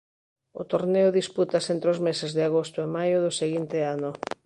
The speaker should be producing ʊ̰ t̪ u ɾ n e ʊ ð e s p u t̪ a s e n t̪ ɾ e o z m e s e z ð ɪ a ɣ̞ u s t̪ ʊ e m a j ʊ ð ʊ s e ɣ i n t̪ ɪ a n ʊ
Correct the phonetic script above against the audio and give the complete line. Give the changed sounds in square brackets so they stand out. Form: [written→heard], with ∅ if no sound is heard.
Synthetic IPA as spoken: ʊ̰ t̪ [u→o] ɾ n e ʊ ð [e→i] s p u t̪ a s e n t̪ ɾ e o z m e s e z ð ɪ a ɣ̞ [u→o] s t̪ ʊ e m a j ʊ ð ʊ s e ɣ i n t̪ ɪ a n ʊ